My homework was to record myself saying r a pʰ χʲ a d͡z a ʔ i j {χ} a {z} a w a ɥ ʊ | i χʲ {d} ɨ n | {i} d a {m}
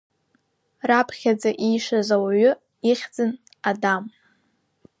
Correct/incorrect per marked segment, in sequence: incorrect: ʂ, correct, incorrect: d͡z, incorrect: a, correct

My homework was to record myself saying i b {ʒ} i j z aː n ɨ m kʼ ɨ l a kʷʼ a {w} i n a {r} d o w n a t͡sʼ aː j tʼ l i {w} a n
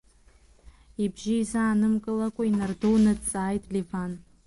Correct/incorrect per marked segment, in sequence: correct, incorrect: none, correct, incorrect: v

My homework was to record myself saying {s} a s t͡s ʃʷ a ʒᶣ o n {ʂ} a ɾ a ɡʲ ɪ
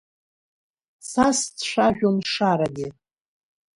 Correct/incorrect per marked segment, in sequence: correct, correct

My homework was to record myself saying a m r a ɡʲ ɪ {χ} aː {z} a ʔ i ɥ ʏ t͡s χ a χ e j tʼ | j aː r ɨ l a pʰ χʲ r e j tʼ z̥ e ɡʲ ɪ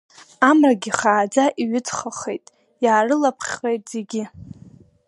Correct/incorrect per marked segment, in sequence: correct, incorrect: d͡z

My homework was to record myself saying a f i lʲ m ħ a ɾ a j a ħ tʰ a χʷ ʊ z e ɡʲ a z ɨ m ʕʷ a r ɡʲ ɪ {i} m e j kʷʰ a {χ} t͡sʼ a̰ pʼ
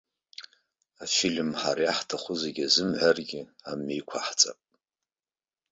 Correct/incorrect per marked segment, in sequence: incorrect: a, incorrect: ħ

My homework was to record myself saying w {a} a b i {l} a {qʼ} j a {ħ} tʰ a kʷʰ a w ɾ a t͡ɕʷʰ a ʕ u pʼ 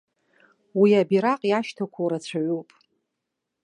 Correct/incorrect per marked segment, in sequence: incorrect: i, incorrect: ɾ, correct, incorrect: ʃ

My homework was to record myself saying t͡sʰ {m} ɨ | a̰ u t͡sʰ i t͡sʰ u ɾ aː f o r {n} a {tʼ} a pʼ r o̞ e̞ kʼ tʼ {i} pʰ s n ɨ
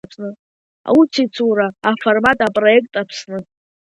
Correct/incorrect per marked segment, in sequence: incorrect: n, incorrect: m, correct, incorrect: a

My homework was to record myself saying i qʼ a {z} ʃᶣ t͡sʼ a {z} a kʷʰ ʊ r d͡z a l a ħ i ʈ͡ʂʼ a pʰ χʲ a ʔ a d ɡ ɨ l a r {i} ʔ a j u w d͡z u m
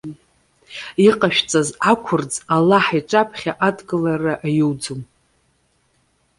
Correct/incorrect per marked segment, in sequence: incorrect: none, correct, incorrect: a

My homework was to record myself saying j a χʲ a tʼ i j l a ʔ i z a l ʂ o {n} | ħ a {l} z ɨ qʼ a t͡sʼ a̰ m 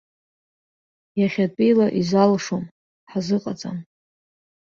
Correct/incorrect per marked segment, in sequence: incorrect: m, incorrect: none

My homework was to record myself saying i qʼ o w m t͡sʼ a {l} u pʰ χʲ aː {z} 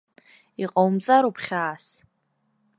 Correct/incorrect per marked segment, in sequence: incorrect: ɾ, incorrect: s

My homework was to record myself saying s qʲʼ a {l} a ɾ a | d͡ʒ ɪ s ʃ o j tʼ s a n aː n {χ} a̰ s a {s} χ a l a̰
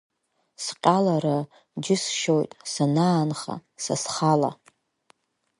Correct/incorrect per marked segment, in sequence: correct, correct, correct

